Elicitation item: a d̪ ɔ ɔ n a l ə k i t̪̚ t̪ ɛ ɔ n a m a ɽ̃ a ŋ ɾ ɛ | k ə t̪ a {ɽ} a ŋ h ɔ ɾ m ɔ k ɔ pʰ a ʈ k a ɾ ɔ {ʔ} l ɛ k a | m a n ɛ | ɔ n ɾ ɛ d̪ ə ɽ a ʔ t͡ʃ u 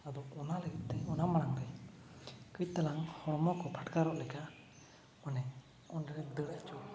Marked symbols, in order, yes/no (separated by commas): no, yes